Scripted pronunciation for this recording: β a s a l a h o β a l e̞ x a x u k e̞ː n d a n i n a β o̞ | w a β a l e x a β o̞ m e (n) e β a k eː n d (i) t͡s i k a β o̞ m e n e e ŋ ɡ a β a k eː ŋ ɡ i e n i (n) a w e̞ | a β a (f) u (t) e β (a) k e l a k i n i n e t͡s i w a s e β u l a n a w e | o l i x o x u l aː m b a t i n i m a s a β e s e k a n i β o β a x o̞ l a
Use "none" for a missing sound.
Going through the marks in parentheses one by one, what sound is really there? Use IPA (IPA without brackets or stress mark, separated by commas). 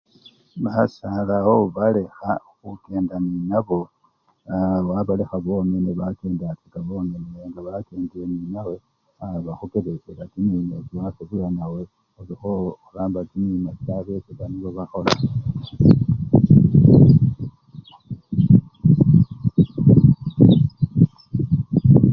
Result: n, a, n, x, k, e